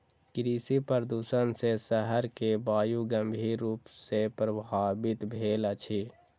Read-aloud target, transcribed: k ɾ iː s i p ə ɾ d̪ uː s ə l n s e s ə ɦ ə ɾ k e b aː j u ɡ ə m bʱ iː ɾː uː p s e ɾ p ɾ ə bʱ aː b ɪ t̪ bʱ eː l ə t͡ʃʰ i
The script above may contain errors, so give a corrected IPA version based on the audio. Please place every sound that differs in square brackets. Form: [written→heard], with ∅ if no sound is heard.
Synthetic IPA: k ɾ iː s i p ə ɾ d̪ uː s ə [l→∅] n s e s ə ɦ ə ɾ k e b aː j u ɡ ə m bʱ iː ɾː uː p s e [ɾ→∅] p ɾ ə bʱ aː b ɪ t̪ bʱ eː l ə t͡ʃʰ i